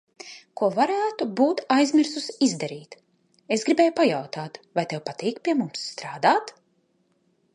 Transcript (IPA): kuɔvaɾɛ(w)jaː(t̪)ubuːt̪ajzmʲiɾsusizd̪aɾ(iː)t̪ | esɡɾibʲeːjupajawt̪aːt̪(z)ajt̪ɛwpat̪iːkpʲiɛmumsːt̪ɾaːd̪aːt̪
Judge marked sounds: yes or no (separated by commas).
no, yes, yes, no